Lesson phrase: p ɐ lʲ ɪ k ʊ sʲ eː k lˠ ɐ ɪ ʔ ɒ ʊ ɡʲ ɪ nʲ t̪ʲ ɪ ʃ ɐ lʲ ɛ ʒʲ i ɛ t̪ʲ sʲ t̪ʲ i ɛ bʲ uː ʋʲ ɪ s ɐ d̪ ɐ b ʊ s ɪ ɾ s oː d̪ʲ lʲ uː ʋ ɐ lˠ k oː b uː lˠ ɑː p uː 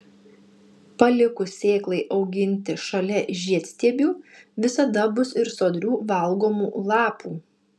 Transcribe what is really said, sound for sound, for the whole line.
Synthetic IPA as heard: p ɐ lʲ ɪ k ʊ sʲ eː k lˠ ɐ ɪ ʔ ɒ ʊ ɡʲ ɪ nʲ t̪ʲ ɪ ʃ ɐ lʲ ɛ ʒʲ i ɛ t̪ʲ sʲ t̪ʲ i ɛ bʲ uː ʋʲ ɪ s ɐ d̪ ɐ b ʊ s ɪ ɾ s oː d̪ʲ ɾʲ uː ʋ ɐ lˠ ɡ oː m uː lˠ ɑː p uː

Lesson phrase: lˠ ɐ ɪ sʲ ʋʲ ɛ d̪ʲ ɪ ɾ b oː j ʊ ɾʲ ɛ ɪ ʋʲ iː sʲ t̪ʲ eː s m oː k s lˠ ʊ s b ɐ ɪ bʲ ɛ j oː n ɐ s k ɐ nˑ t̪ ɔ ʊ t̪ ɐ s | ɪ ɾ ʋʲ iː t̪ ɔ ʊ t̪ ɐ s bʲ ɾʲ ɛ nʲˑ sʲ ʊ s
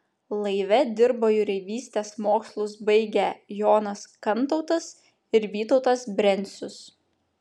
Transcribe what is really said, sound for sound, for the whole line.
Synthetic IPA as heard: lˠ ɐ ɪ ʋʲ ɛ d̪ʲ ɪ ɾ b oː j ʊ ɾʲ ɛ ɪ ʋʲ iː sʲ t̪ʲ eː s m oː k s lˠ ʊ s b ɐ ɪ ɡʲ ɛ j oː n ɐ s k ɐ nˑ t̪ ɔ ʊ t̪ ɐ s | ɪ ɾ ʋʲ iː t̪ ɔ ʊ t̪ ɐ s bʲ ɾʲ ɛ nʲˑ sʲ ʊ s

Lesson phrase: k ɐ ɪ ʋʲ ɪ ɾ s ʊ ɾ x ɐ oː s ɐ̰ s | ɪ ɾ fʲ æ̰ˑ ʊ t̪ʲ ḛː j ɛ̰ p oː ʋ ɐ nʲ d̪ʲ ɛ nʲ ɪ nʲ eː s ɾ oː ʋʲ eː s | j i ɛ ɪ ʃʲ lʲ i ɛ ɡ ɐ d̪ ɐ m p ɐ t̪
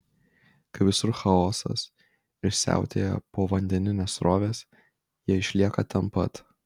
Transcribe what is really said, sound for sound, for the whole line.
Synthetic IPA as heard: k ɐ ɪ ʋʲ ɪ s ʊ ɾ x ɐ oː s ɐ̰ s | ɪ ɾ sʲ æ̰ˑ ʊ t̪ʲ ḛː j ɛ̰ p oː ʋ ɐ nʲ d̪ʲ ɛ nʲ ɪ nʲ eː s ɾ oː ʋʲ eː s | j i ɛ ɪ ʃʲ lʲ i ɛ k ɐ t̪ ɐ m p ɐ t̪

